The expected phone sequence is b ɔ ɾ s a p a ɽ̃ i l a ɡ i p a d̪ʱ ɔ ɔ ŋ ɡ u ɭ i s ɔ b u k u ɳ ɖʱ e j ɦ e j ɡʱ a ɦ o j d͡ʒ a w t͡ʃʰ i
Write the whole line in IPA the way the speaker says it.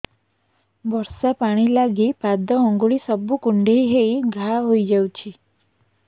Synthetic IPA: b ɔ ɾ s a p a ɽ̃ i l a ɡ i p a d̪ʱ ɔ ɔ ŋ ɡ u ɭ i s ɔ b u k u ɳ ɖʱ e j ɦ e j ɡʱ a ɦ o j d͡ʒ a w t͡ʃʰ i